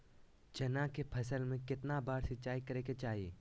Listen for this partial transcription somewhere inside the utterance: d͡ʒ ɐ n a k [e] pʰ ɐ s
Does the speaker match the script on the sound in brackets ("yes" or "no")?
yes